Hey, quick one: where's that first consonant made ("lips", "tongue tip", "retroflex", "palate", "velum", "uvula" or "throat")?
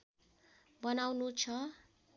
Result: lips